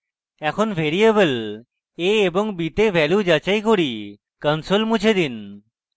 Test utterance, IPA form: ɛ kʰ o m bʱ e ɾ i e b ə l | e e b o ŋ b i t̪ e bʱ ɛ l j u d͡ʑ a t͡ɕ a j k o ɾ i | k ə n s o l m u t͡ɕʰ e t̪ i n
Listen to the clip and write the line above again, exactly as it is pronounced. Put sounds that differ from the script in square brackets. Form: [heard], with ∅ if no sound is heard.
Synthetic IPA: ɛ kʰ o [n] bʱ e ɾ i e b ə l | e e b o ŋ b i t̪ e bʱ ɛ l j u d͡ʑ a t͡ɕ a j k o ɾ i | k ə n s o l m u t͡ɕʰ e [d̪] i n

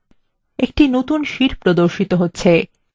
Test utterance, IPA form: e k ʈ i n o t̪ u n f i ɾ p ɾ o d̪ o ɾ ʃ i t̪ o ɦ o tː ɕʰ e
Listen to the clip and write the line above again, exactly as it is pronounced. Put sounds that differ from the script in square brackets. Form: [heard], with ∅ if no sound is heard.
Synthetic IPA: e k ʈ i n o t̪ u n [ʃ] i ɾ p ɾ o d̪ o ɾ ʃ i t̪ o ɦ o tː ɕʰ e

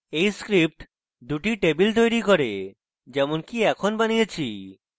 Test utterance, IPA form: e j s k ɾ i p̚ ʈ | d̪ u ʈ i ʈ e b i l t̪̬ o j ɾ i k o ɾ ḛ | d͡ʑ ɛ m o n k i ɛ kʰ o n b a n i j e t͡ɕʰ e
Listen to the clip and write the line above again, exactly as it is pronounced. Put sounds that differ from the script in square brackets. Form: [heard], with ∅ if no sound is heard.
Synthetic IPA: e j s k ɾ i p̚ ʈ | d̪ u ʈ i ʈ e b i l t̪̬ o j ɾ i k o ɾ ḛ | d͡ʑ ɛ m o n k i ɛ kʰ o n b a n i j e t͡ɕʰ [i]

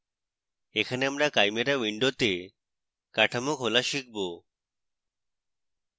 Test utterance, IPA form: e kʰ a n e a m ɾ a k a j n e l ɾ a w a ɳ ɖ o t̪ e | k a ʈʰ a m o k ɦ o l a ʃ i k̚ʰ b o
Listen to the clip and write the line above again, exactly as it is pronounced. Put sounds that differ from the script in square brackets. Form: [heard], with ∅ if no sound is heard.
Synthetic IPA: e kʰ a n e a m ɾ a k a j [m] e [∅] ɾ a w [i] ɳ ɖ o t̪ e | k a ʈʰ a m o k ɦ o l a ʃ i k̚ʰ b o

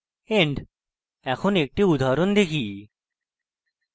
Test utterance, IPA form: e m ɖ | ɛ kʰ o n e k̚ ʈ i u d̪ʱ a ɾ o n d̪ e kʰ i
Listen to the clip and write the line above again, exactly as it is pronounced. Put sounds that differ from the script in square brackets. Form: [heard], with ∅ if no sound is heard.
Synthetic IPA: e [ɳ] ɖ | ɛ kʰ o n e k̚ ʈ i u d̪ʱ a ɾ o n d̪ e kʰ i

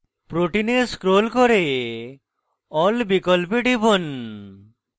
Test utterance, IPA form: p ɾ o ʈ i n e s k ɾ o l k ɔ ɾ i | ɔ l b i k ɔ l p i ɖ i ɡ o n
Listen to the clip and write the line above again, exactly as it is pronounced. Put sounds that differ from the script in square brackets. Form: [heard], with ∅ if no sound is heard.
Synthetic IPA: p ɾ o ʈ i n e s k ɾ o l k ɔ ɾ [e] | ɔ l b i k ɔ l p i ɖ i [b] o n

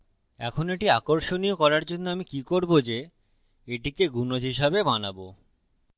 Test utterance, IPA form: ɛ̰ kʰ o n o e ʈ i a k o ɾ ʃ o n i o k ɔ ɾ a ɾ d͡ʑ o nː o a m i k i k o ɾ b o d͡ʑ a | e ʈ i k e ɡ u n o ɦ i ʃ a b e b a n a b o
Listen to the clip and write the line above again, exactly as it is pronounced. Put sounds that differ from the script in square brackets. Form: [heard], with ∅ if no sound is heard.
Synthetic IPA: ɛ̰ kʰ o n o e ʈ i a k o ɾ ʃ o n i o k ɔ ɾ a ɾ d͡ʑ o nː o a m i k i k o ɾ b o d͡ʑ [e] | e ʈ i k e ɡ u n o ɦ i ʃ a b e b a n a b o

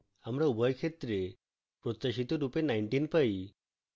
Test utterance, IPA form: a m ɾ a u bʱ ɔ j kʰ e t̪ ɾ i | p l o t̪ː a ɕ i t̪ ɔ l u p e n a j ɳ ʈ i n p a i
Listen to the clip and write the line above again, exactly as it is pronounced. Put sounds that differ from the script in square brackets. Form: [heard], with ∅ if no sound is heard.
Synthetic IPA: a m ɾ a u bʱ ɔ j kʰ e t̪ ɾ [e] | p [ɾ] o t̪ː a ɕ i t̪ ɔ [ɾ] u p e n a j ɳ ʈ i n p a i

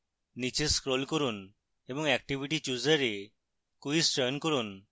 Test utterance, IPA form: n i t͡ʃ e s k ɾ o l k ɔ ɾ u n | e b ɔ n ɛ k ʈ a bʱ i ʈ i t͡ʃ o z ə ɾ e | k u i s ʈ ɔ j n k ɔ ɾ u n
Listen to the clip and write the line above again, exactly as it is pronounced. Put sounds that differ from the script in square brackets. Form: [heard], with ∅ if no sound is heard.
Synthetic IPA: n i t͡ʃ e s k ɾ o l k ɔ ɾ u n | e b ɔ [ŋ] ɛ k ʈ [i] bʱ i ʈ i t͡ʃ [u] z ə ɾ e | k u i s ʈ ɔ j n k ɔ ɾ u n

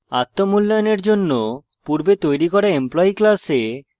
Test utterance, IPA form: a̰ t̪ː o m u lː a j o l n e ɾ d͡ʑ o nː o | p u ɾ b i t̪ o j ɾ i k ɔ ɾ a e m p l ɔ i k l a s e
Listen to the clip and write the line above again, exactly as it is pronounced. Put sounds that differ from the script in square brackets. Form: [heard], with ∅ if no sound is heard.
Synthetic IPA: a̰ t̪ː o m u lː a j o [∅] n e ɾ d͡ʑ o nː o | p u ɾ b [e] t̪ o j ɾ i k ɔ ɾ a e m p l ɔ i k l a s e

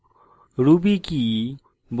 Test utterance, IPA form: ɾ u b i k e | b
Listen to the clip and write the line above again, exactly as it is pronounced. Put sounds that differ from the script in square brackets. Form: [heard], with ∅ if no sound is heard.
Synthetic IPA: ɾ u b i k [i] | b

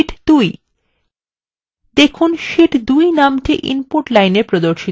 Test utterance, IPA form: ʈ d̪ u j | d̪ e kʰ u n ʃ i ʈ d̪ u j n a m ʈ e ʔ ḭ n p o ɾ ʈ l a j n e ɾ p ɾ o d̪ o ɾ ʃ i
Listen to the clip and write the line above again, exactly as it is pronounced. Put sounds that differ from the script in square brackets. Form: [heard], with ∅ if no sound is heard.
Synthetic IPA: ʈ d̪ u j | d̪ e kʰ u n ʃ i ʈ d̪ u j n a m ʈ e ʔ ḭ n p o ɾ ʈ l a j n e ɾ p ɾ o d̪ o ɾ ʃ i

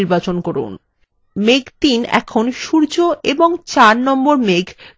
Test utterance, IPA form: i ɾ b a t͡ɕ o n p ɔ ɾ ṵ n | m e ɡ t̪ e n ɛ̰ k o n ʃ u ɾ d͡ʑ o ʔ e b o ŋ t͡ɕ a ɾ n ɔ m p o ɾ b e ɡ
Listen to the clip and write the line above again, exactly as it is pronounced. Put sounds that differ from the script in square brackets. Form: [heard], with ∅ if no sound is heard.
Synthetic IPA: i ɾ b a t͡ɕ o n [k] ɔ ɾ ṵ n | m e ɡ t̪ [i] n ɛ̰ [kʰ] o n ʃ u ɾ d͡ʑ o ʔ e b o ŋ t͡ɕ a ɾ n ɔ m [b] o ɾ [m] e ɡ

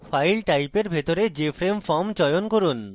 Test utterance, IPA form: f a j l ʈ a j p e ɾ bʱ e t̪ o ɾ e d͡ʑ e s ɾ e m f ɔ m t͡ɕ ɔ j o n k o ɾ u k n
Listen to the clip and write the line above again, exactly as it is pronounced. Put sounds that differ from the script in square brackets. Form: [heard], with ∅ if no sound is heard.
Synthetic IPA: f a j l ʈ a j p e ɾ bʱ e t̪ o ɾ e d͡ʑ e [f] ɾ e m f ɔ m t͡ɕ ɔ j o n k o ɾ u [∅] n

